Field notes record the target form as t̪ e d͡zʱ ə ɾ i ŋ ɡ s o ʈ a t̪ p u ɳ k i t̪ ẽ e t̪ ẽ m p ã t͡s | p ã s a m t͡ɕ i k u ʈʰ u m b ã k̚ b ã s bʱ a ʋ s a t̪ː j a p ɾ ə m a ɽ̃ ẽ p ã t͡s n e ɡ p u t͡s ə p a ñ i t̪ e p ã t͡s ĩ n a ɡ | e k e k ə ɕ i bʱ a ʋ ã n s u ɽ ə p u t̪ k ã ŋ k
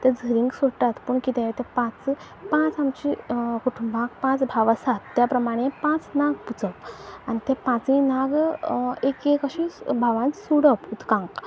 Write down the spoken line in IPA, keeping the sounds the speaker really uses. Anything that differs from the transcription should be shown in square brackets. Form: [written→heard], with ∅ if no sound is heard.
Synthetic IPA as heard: t̪ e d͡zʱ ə ɾ i ŋ ɡ s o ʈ a t̪ p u ɳ k i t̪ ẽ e t̪ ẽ [m→∅] p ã t͡s | p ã [s→t͡s] a m t͡ɕ i k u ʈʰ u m b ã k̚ [b→p] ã [s→t͡s] bʱ a ʋ s a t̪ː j a p ɾ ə m a ɽ̃ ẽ p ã t͡s n [e→a] ɡ p u t͡s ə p a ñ i t̪ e p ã t͡s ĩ n a ɡ | e k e k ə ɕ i bʱ a ʋ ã n s u ɽ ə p u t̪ k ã ŋ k